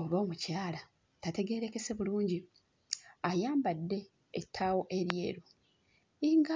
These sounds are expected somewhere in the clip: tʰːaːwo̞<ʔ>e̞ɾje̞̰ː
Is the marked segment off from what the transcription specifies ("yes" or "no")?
no